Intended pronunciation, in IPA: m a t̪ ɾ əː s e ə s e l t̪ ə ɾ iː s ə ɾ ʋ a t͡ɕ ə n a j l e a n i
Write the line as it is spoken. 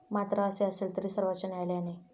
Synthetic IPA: m a t̪ ɾ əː s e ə s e l t̪ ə ɾ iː s ə ɾ ʋ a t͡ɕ ə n a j l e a n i